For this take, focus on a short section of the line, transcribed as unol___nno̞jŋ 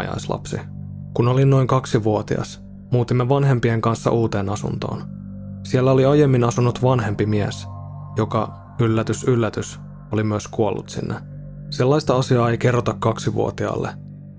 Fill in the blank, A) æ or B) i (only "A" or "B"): B